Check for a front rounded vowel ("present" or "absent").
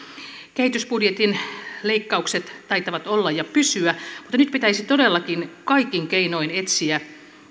present